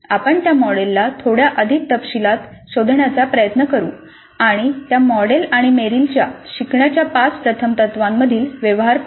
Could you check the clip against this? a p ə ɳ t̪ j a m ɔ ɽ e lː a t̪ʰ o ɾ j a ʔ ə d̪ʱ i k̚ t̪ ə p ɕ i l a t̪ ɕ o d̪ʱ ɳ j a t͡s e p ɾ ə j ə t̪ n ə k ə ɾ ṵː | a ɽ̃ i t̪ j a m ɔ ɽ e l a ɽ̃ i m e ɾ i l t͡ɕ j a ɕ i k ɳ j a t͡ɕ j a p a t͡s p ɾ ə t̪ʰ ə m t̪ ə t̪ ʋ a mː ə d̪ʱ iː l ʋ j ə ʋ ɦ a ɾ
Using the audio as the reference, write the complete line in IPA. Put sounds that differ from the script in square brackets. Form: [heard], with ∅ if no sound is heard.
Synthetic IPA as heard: a p ə ɳ t̪ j a m ɔ ɽ e lː a t̪ʰ o [ɽ] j a ʔ ə d̪ʱ i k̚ t̪ ə p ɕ i l a t̪ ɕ o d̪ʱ ɳ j a t͡s [a] p ɾ ə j ə t̪ n ə k ə ɾ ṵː | a ɽ̃ i t̪ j a m ɔ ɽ e l a ɽ̃ i m e ɾ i l t͡ɕ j a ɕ i k ɳ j a t͡ɕ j a p a t͡s p ɾ ə t̪ʰ ə m t̪ ə t̪ ʋ a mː ə d̪ʱ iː l ʋ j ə ʋ ɦ a ɾ